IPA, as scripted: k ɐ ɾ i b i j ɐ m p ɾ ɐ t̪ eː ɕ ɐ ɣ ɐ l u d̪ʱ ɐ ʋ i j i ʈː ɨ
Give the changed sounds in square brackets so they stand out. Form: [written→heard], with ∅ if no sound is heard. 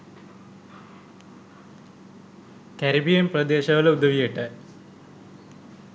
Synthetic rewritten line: k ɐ ɾ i b i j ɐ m p [ɾ→r] ɐ [t̪→d̪] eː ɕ ɐ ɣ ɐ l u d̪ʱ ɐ ʋ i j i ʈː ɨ